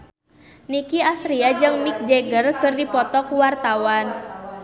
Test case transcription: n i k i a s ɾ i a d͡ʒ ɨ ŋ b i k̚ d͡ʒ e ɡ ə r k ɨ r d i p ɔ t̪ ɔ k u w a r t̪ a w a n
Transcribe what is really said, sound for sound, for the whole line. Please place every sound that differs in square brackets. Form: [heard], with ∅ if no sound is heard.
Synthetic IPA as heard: n i k i a s ɾ i a d͡ʒ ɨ ŋ [m] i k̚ d͡ʒ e ɡ ə r k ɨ r d i p ɔ t̪ ɔ k u w a r t̪ a w a n